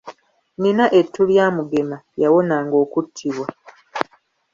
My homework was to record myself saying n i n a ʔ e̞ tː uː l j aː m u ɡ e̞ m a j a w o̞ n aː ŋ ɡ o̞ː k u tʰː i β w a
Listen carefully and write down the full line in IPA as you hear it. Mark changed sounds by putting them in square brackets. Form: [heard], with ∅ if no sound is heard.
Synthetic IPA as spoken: n i n a ʔ e̞ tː [u] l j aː m u ɡ e̞ m a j a w o̞ n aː ŋ ɡ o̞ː k u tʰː i β w a